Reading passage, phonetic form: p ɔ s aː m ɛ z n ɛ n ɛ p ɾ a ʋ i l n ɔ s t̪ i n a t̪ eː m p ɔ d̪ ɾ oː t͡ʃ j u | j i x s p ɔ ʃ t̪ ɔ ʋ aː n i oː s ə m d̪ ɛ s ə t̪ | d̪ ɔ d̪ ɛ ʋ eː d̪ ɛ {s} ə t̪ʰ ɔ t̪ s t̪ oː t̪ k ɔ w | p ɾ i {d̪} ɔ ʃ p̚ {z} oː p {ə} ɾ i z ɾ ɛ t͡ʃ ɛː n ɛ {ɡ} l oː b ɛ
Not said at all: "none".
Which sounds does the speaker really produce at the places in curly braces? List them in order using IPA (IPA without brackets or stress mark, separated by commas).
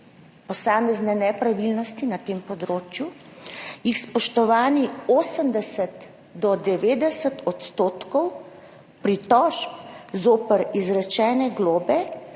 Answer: s, t̪, z, ə, ɡ